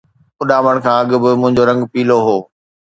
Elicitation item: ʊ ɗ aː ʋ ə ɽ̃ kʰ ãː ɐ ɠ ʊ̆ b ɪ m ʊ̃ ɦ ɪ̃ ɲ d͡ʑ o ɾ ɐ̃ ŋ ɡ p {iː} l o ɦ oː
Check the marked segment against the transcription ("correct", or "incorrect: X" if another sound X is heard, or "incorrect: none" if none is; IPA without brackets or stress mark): correct